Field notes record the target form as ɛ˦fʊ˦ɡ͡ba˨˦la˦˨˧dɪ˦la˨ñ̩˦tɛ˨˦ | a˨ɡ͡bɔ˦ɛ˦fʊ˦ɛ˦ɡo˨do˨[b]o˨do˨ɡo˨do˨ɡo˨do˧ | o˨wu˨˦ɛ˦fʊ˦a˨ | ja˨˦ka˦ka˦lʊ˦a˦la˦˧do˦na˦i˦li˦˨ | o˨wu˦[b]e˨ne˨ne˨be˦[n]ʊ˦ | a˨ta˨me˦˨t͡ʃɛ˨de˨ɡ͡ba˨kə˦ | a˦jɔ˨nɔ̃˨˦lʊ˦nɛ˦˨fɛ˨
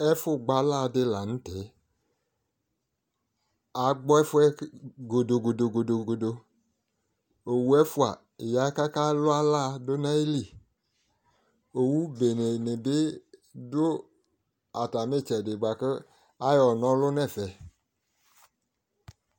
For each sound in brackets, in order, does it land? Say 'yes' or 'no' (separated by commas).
no, yes, no